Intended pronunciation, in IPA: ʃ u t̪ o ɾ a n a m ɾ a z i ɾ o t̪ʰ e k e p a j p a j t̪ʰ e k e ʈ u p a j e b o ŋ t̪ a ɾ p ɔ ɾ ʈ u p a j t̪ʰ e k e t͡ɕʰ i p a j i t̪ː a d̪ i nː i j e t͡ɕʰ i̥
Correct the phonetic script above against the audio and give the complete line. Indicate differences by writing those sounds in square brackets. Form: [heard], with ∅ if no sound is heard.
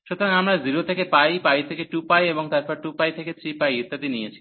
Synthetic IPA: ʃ u t̪ o ɾ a [ŋ] a m ɾ a z i ɾ o t̪ʰ e k e p a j p a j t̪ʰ e k e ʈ u p a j e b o ŋ t̪ a ɾ p ɔ ɾ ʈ u p a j t̪ʰ e k e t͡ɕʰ i p a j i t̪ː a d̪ i [n] i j e t͡ɕʰ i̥